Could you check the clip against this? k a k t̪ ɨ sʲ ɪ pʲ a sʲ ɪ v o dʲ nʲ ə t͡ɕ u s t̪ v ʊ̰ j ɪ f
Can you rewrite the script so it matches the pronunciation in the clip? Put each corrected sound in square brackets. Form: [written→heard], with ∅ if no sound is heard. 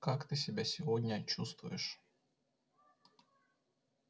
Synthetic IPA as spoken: k a k t̪ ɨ sʲ ɪ [pʲ→bʲ] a sʲ ɪ v o dʲ nʲ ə t͡ɕ u s t̪ v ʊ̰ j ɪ [f→ʂ]